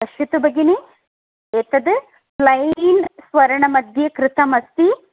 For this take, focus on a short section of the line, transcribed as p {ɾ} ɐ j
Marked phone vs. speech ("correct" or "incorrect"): incorrect